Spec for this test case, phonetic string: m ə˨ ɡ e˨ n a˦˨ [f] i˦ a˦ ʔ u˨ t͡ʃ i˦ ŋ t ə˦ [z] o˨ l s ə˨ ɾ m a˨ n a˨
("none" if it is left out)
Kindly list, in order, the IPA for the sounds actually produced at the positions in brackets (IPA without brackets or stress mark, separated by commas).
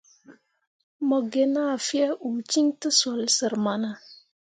f, s